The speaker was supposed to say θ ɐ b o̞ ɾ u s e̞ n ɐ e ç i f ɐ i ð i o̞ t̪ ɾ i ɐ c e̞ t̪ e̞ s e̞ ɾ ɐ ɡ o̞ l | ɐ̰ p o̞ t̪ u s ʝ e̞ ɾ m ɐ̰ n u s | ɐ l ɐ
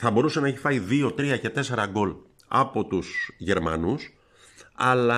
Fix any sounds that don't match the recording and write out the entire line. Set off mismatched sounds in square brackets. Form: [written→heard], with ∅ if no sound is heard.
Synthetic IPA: θ ɐ b o̞ ɾ u s e̞ n ɐ e ç i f ɐ i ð i o̞ t̪ ɾ i ɐ c e̞ t̪ e̞ s e̞ ɾ ɐ ɡ o̞ l | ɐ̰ p o̞ t̪ u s ʝ e̞ ɾ m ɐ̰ n u s | ɐ l ɐ